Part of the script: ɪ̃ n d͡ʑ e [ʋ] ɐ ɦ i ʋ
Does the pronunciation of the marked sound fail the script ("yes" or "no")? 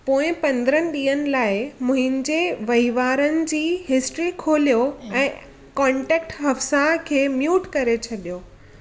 no